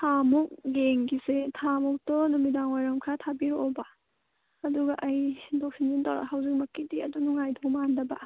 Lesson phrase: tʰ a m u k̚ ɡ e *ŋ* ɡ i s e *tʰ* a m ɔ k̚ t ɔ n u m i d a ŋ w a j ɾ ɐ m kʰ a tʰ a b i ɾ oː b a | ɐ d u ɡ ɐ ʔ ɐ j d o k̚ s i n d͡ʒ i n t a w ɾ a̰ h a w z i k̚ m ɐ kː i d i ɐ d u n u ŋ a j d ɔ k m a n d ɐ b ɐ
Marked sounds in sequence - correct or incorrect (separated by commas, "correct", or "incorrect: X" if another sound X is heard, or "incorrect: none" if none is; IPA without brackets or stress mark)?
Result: correct, correct